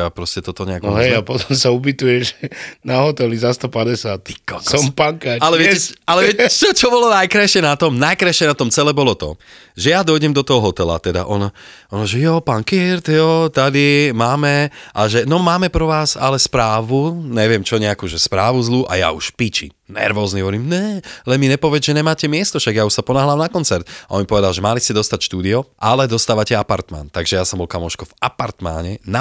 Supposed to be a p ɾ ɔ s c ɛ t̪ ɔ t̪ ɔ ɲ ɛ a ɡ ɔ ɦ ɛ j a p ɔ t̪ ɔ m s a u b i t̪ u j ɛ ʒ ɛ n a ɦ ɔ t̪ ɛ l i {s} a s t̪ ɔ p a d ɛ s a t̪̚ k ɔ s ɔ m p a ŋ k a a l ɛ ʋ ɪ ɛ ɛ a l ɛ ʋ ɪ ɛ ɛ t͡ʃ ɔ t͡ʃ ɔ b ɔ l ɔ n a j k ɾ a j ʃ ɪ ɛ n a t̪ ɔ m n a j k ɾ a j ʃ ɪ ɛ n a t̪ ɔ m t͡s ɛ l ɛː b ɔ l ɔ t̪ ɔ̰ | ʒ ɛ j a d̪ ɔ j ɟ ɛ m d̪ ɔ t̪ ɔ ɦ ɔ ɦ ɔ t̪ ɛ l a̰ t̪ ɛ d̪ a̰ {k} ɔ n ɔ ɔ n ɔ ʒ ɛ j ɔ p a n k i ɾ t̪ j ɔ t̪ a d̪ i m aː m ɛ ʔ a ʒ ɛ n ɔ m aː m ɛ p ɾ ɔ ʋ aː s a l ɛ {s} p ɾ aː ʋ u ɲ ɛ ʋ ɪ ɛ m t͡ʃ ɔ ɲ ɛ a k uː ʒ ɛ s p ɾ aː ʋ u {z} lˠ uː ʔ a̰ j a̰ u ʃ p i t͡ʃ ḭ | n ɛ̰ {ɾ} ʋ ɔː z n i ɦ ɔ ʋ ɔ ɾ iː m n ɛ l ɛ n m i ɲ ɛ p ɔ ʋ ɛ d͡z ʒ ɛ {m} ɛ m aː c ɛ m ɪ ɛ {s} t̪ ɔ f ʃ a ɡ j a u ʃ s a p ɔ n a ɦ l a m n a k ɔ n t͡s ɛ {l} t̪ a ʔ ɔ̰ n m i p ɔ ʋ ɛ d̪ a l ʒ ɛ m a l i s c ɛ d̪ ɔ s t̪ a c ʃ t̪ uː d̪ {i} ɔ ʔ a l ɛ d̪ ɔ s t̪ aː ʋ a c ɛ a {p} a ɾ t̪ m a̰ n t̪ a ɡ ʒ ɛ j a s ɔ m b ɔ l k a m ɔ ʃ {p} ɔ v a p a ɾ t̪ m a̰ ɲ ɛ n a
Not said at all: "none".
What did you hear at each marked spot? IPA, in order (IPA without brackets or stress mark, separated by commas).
z, ʔ, s, z, ɾ, ɲ, s, ɾ, i, p, k